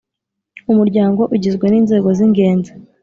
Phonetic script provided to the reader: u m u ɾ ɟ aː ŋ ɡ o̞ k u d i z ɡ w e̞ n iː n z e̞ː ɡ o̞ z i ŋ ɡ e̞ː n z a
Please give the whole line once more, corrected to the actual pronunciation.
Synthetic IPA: u m u ɾ ɟ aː ŋ ɡ o̞ ʔ u ɟ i z ɡ w e̞ n iː n z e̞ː ɡ o̞ z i ŋ ɡ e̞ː n z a